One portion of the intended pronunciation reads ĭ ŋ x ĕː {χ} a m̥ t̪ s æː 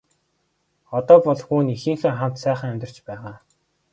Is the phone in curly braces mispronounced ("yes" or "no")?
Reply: no